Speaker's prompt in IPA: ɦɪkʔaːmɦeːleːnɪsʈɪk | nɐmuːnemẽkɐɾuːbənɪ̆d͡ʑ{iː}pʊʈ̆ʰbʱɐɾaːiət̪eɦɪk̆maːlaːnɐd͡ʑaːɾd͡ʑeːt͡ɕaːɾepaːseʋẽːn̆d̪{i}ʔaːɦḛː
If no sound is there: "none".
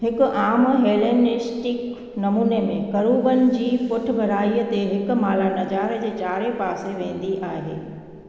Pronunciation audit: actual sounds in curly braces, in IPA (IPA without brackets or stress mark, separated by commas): iː, i